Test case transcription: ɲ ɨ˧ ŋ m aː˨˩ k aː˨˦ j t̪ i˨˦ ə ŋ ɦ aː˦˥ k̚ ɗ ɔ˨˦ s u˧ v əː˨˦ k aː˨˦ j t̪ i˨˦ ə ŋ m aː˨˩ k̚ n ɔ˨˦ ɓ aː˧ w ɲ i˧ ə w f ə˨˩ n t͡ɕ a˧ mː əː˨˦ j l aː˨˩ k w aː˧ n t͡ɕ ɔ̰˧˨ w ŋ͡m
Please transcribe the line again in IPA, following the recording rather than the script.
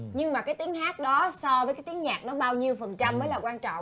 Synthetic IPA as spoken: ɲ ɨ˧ ŋ m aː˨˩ k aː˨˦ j t̪ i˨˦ ə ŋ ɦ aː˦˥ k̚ ɗ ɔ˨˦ s ɔ˧ v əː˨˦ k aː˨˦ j t̪ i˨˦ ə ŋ ɲ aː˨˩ k̚ n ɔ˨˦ ɓ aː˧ w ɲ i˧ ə w f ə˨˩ n t͡ɕ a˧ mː əː˨˦ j l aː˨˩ k w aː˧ n t͡ɕ ɔ̰˧˨ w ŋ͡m